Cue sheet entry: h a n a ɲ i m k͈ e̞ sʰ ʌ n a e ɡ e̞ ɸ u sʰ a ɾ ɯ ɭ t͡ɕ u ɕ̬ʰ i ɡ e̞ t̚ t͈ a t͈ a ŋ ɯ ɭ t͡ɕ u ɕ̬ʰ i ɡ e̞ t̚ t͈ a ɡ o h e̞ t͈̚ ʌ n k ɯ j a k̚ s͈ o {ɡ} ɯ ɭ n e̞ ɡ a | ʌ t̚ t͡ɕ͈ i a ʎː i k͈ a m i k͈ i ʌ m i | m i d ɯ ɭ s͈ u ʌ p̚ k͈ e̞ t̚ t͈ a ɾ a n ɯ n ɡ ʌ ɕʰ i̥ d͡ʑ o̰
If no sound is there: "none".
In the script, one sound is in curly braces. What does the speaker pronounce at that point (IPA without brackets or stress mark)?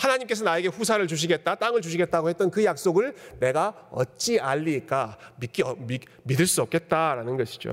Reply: ɡ